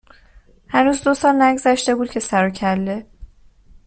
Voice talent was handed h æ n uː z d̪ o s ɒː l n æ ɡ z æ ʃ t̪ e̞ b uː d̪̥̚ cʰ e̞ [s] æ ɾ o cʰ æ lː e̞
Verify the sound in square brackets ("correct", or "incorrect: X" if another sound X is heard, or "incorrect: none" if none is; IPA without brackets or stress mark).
correct